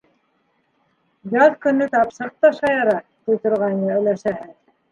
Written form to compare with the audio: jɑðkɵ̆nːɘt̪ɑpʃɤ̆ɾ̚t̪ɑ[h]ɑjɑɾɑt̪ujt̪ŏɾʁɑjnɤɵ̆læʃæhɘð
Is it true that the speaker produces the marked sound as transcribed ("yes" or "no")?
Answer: no